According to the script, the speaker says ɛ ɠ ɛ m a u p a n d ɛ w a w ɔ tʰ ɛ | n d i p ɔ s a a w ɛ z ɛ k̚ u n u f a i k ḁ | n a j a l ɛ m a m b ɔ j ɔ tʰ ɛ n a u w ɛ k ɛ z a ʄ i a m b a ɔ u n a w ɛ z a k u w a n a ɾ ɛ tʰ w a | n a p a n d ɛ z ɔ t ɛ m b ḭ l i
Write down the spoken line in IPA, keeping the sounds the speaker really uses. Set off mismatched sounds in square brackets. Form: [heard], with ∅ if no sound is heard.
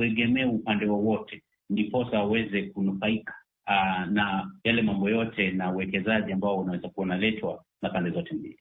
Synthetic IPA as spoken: ɛ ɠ ɛ m [ɛ] u p a n d ɛ w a w ɔ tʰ ɛ | n d i p ɔ s a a w ɛ z ɛ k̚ u n u f a i k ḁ | n a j a l ɛ m a m b ɔ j ɔ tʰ ɛ n a u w ɛ k ɛ z a ʄ i a m b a ɔ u n a w ɛ z a k u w a n a [l] ɛ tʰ w a | n a p a n d ɛ z ɔ t ɛ m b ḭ l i